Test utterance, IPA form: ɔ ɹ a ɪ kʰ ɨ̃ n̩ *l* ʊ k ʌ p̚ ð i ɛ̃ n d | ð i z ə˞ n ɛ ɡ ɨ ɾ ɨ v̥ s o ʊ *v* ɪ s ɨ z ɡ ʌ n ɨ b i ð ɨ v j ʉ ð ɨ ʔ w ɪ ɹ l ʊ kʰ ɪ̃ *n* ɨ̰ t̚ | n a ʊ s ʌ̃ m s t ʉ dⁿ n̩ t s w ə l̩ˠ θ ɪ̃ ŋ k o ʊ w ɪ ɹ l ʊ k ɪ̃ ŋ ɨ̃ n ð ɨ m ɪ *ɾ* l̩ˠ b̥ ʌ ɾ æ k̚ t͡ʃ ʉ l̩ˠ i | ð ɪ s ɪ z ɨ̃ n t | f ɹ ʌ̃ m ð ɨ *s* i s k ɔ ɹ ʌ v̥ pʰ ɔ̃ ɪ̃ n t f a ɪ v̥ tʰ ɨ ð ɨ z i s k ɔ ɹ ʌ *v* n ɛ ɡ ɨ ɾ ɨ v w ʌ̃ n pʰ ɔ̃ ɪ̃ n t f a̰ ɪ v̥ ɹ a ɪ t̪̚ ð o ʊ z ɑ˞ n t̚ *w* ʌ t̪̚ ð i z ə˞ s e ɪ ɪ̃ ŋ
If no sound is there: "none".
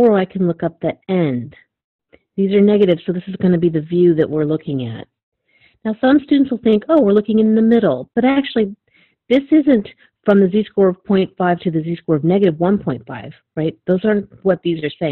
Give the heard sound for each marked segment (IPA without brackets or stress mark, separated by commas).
l, ð, ŋ, ɾ, z, v, w